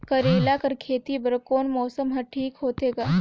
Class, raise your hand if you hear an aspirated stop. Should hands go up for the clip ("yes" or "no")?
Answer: yes